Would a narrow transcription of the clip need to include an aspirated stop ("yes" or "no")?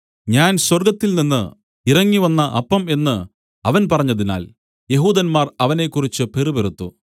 no